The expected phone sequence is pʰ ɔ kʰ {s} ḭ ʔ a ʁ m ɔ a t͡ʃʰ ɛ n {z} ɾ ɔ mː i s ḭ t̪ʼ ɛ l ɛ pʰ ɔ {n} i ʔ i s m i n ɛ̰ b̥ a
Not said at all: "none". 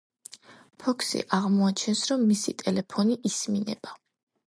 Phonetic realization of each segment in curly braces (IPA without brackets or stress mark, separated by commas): s, s, n